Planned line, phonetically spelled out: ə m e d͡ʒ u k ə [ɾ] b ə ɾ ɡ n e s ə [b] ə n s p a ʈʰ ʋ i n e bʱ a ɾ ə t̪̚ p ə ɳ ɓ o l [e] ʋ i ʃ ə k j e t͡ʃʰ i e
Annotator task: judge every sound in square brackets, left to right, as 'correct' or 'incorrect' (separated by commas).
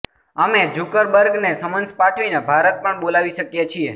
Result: correct, incorrect, incorrect